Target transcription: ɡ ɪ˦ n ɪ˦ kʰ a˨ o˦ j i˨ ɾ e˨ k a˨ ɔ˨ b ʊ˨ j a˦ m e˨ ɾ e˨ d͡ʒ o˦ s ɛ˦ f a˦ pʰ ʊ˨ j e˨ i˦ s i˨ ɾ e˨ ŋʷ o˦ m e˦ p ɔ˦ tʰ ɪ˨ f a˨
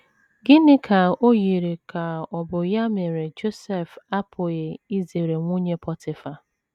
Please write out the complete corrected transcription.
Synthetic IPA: ɡ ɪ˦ n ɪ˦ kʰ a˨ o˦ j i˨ ɾ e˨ k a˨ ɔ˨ b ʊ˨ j a˦ m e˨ ɾ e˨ d͡ʒ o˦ s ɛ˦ f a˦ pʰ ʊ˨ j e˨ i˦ z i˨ ɾ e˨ ŋʷ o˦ ɲ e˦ p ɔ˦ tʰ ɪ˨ f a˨

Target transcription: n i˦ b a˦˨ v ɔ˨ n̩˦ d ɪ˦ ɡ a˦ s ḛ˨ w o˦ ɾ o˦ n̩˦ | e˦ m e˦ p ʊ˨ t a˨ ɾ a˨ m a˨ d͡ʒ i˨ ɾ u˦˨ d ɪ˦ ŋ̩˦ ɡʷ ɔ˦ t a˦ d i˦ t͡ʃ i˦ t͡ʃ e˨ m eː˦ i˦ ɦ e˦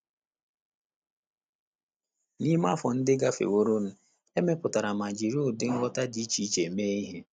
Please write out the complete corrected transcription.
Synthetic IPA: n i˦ m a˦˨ f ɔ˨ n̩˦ d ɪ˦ ɡ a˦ f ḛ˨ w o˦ ɾ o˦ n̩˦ | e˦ m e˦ p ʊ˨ t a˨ ɾ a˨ m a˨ d͡ʒ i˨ ɾ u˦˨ d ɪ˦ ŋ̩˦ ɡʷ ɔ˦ t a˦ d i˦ t͡ʃ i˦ t͡ʃ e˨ m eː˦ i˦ ɦ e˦

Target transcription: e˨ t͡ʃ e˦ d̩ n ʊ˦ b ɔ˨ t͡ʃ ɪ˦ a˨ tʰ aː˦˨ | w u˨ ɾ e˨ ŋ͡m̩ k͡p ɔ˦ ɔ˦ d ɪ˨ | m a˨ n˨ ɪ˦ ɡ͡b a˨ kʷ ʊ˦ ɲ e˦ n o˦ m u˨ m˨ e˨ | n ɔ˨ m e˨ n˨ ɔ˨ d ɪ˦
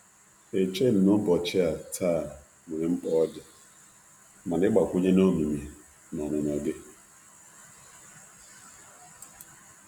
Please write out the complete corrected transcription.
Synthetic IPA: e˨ t͡ʃ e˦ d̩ n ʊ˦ b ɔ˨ t͡ʃ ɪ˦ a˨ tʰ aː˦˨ | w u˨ ɾ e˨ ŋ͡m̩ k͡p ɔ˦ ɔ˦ d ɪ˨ | m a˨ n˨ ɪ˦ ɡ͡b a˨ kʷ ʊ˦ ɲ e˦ n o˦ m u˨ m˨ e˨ | n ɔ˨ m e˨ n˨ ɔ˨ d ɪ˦

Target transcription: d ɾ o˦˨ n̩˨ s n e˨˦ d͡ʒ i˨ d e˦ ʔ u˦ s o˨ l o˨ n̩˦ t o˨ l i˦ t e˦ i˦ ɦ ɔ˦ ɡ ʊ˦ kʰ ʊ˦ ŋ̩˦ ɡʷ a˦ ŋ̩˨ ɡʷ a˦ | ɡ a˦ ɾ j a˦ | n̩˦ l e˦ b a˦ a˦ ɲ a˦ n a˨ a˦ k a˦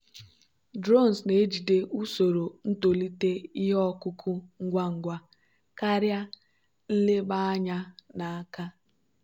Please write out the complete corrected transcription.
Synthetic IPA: d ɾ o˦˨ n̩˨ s n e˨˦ d͡ʒ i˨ d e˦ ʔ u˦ s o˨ ɾ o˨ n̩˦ t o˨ l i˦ t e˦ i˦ ɦ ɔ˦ k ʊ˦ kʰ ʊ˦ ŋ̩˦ ɡʷ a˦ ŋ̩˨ ɡʷ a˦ | k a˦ ɾ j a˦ | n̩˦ l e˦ b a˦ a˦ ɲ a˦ n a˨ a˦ k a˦

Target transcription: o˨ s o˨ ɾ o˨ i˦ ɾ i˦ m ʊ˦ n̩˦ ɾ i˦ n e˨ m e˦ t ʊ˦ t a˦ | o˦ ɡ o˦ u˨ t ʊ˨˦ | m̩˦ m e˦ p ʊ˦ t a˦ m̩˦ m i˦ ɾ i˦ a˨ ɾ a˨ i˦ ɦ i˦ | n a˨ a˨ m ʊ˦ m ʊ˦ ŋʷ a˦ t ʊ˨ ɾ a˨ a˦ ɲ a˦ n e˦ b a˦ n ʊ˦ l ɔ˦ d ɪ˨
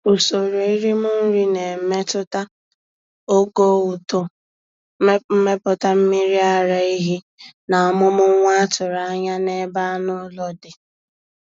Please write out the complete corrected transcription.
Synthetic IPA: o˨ s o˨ ɾ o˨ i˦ ɾ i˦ m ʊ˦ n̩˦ ɾ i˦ n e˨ m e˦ t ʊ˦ t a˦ | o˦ ɡ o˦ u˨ t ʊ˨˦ | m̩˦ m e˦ p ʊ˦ t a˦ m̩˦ m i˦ ɾ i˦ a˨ ɾ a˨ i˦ ɦ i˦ | n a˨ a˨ m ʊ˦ m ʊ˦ ŋʷ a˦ t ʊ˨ ɾ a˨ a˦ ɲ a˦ n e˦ b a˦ n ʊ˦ l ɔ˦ d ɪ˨

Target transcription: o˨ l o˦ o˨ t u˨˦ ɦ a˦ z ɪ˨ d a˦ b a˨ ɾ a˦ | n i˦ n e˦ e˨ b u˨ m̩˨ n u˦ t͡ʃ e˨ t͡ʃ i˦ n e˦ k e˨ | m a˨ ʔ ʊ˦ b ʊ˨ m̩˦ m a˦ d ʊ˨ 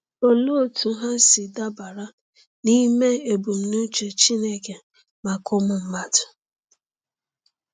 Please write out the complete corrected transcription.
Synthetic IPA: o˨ l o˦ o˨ t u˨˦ ɦ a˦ s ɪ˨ d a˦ b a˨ ɾ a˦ | n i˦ m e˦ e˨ b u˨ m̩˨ n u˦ t͡ʃ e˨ t͡ʃ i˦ n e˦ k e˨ | m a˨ k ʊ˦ m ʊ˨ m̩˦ m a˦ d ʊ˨

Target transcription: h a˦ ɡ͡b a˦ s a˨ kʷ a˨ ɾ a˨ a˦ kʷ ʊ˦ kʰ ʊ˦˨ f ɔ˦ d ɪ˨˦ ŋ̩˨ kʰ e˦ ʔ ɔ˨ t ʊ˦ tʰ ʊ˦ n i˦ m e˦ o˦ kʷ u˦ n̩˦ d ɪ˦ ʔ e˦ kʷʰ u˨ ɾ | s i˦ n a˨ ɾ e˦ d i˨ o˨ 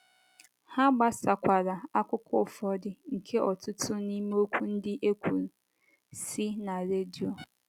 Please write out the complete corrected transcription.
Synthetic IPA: h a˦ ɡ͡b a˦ s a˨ kʷ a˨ ɾ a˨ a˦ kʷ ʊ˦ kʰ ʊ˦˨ f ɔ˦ d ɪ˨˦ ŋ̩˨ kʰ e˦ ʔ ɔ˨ t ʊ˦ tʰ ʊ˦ n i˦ m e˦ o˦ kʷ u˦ n̩˦ d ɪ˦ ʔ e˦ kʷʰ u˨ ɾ | s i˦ n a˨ ɾ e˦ d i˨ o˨

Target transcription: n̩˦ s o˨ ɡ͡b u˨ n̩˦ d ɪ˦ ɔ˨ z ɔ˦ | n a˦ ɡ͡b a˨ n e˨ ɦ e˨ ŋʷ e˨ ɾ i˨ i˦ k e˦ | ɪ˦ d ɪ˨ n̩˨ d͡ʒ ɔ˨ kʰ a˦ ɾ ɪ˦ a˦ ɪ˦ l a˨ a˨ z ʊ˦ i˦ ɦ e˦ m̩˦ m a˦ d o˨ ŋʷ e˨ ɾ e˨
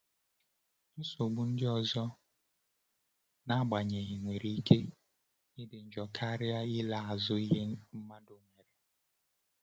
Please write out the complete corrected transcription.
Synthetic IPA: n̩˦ s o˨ ɡ͡b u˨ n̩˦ d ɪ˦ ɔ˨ z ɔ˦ | n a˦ ɡ͡b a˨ ɲ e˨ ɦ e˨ ŋʷ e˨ ɾ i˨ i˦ k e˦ | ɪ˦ d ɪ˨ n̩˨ d͡ʒ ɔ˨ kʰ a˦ ɾ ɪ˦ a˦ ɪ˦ l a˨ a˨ z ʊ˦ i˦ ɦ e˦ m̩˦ m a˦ d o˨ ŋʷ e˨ ɾ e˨

